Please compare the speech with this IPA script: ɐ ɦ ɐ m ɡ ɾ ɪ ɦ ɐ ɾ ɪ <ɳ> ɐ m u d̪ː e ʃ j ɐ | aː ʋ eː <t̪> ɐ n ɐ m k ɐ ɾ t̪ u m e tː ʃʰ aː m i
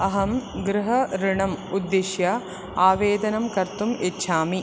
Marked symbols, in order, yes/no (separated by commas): yes, no